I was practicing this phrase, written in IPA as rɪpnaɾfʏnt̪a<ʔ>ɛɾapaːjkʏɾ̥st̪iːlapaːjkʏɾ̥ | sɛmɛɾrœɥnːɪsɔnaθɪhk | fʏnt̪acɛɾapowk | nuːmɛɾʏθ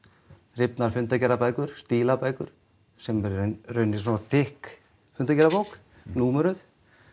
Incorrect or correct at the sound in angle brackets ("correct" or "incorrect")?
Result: incorrect